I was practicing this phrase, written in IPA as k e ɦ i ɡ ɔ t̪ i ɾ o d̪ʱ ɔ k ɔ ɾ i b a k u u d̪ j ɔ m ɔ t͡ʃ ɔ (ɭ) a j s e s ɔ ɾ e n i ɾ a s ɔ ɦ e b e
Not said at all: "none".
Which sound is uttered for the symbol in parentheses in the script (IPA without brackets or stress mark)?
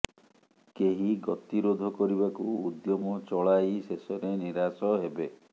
ɭ